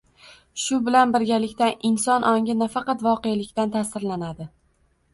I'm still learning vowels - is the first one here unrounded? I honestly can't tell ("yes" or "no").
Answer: no